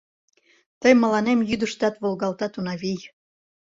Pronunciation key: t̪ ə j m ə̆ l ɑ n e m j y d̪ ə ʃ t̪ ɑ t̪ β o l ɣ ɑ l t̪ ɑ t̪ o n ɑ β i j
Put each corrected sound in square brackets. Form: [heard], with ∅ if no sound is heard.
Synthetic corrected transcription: t̪ ə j m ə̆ l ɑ n e m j y d̪ ə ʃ t̪ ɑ t̪ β o l ɣ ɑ l t̪ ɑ t̪ [u] n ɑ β i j